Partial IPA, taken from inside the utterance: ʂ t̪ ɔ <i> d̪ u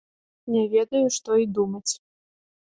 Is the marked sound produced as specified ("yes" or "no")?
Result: yes